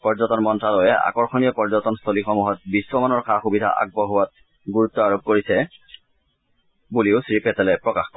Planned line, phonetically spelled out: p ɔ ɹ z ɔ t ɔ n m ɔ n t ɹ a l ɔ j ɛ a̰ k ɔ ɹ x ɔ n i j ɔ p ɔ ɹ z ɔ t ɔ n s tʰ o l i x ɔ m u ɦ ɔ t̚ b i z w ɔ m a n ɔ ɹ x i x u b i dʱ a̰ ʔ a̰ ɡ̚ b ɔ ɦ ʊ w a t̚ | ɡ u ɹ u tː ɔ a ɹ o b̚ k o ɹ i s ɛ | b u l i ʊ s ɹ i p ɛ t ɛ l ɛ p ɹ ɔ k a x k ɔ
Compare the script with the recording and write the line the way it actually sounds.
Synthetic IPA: p ɔ ɹ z ɔ t ɔ n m ɔ n t ɹ a l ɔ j ɛ a̰ k ɔ ɹ x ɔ n i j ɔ p ɔ ɹ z ɔ t ɔ n s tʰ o l i x ɔ m u ɦ ɔ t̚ b i s w ɔ m a n ɔ ɹ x a x u b i dʱ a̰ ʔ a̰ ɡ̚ b ɔ ɦ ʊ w a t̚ | ɡ u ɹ u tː ɔ a ɹ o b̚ k o ɹ i s ɛ | b u l i ʊ s ɹ i p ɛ t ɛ l ɛ p ɹ ɔ k a x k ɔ